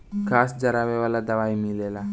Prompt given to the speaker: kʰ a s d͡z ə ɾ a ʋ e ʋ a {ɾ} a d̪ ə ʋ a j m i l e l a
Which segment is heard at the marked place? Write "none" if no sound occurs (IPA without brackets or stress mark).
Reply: l